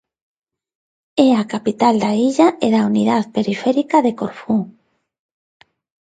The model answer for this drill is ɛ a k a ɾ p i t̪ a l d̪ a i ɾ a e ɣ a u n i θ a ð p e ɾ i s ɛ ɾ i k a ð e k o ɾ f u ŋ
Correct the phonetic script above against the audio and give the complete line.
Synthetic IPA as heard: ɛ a k a p i t̪ a l d̪ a i ʎ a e ð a u n i ð a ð p e ɾ i f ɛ ɾ i k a ð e k o ɾ f u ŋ